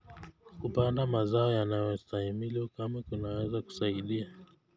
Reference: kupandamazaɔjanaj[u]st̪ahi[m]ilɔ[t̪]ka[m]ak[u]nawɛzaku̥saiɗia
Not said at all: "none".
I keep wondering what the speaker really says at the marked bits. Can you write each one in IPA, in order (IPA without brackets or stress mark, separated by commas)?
ɔ, m, none, m, u